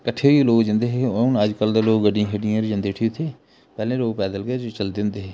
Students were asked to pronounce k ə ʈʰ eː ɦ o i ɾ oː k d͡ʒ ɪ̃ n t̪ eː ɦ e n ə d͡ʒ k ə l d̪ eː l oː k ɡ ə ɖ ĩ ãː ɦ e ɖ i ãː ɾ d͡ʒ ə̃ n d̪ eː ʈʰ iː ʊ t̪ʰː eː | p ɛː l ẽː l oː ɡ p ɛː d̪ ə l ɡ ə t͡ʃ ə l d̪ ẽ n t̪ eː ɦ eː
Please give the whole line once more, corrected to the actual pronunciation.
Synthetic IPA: k ə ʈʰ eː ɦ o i l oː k d͡ʒ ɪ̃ n d̪ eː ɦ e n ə d͡ʒ k ə l d̪ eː l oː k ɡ ə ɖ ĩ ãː ɦ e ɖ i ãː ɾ d͡ʒ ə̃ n d̪ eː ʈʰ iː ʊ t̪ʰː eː | p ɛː l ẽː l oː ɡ p ɛː d̪ ə l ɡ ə t͡ʃ ə l d̪ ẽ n d̪ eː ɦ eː